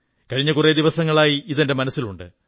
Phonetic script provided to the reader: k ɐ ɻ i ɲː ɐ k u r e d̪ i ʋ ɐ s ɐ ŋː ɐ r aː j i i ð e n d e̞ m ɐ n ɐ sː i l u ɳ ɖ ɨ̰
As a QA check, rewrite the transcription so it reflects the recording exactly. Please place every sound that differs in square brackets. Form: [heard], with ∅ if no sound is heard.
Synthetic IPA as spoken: k ɐ ɻ i ɲː ɐ k u r e d̪ i ʋ ɐ s ɐ ŋː ɐ [ɭ] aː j i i ð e n d e̞ m ɐ n ɐ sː i l u ɳ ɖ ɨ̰